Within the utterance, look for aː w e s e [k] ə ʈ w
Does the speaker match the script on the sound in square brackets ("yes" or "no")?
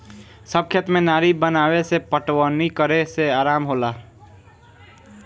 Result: no